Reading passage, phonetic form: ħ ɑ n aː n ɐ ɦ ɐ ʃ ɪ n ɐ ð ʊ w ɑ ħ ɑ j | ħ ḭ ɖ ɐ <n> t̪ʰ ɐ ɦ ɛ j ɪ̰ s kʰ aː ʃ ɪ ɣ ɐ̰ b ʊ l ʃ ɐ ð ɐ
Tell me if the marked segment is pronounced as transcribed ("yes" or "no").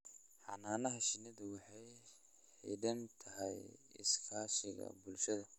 yes